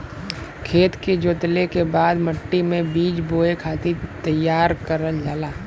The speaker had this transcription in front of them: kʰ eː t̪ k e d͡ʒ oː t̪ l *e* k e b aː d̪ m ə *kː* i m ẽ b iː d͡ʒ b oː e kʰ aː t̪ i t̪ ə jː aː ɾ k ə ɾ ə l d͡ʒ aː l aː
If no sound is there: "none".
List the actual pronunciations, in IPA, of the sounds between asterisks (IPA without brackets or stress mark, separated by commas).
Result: e, ʈː